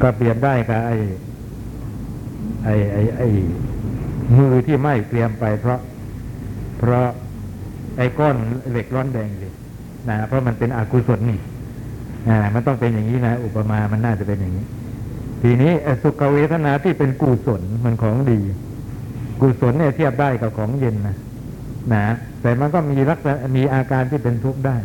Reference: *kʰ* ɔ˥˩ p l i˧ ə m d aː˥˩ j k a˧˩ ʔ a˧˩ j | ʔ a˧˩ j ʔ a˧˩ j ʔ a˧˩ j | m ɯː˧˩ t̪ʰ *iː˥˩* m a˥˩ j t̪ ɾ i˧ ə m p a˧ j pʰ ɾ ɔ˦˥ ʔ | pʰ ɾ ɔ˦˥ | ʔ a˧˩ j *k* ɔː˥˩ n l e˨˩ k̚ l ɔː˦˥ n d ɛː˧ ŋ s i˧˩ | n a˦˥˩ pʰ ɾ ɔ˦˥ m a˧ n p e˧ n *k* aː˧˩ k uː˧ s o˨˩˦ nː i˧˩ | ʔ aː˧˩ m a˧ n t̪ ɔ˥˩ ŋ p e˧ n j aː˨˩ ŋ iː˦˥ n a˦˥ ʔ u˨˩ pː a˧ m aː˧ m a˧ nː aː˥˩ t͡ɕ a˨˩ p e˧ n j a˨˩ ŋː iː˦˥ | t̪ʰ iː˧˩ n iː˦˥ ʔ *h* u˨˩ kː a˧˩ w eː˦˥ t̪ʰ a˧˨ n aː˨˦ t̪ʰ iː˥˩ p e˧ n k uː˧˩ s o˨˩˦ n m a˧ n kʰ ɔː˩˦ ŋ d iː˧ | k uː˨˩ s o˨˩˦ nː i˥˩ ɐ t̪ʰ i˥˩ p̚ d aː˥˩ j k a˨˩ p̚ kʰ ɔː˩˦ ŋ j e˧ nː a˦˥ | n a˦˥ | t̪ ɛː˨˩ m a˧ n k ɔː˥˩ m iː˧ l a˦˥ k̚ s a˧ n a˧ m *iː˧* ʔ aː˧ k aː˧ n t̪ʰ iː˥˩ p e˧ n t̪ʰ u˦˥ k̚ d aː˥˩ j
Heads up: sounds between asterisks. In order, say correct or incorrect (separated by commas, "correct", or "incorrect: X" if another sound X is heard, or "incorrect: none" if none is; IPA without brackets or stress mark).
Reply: incorrect: k, correct, correct, incorrect: ʔ, incorrect: s, correct